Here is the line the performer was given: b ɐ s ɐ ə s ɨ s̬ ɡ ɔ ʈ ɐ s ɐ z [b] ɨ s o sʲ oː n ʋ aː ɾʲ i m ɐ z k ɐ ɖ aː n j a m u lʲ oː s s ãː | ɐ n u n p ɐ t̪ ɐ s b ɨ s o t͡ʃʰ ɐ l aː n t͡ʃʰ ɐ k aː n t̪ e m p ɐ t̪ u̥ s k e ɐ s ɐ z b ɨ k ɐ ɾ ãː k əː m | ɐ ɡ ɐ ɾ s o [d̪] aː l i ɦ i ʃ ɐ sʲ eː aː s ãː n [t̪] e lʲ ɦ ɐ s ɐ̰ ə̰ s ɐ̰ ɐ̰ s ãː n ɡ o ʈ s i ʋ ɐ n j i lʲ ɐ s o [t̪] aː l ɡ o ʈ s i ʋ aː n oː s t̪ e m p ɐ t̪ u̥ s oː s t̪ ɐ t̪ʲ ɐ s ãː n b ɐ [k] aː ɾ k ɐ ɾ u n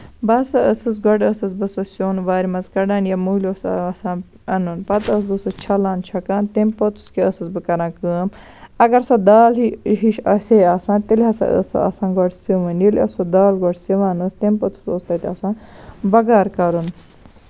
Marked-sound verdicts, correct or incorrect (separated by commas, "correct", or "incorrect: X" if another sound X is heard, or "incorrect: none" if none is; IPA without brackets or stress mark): correct, correct, correct, incorrect: d̪, incorrect: ɡ